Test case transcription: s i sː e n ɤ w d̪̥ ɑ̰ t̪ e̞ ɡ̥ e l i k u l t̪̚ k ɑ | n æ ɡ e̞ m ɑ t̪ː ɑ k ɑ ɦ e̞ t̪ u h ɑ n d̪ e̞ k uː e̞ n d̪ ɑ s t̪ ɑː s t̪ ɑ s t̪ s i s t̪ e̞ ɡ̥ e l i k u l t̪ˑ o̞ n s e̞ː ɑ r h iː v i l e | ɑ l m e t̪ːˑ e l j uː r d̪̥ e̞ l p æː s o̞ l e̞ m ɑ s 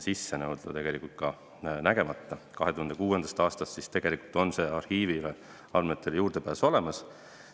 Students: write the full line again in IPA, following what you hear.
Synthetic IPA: s i sː e n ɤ w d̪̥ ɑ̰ t̪ e̞ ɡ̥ e l i k u l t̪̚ k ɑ | n æ ɡ e̞ m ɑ t̪ː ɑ k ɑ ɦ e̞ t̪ u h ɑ n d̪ e̞ k uː e̞ n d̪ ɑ s t̪ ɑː s t̪ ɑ s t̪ s i s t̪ e̞ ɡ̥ e l i k u l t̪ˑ o̞ n s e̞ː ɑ r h iː v i l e | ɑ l m e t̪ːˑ e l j uː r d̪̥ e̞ p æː s o̞ l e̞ m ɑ s